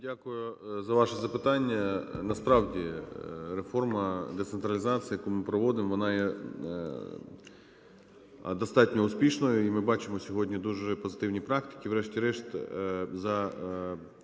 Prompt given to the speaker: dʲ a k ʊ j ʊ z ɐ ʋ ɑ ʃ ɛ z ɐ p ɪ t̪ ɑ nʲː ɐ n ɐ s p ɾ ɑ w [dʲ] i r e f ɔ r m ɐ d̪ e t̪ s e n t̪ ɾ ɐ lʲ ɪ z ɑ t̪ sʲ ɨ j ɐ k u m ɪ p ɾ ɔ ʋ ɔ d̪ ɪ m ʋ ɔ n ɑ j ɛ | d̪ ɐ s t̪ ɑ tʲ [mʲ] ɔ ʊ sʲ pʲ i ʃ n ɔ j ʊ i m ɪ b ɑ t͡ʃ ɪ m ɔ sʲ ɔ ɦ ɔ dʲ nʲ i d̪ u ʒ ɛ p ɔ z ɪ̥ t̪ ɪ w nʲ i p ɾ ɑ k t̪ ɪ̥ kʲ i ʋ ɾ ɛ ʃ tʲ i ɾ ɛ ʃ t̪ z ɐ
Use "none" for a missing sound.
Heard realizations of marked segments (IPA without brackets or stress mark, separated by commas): dʲ, nʲ